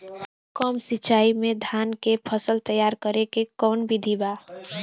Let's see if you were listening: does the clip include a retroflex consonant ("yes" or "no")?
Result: no